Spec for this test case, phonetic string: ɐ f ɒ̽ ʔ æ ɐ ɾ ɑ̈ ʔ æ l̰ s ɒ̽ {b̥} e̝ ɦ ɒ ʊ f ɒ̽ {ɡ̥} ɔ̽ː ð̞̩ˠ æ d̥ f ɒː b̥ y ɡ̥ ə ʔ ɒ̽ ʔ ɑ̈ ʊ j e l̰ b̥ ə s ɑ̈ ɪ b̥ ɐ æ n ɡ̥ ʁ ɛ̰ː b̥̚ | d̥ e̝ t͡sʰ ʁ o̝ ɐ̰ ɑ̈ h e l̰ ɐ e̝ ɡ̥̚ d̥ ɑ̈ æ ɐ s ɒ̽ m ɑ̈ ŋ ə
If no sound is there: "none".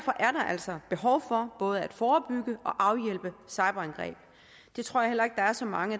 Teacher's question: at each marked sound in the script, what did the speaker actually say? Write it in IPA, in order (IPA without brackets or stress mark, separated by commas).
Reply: b̥, b̥